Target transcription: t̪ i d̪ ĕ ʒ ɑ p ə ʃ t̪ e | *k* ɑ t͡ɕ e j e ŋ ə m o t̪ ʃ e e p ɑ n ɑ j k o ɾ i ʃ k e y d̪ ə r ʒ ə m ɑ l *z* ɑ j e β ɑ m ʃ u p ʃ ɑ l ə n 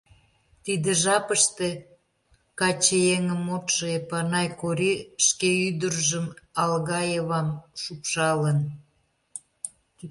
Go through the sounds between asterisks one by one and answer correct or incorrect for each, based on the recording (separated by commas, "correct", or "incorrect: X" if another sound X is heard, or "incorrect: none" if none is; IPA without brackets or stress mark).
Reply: correct, incorrect: ɣ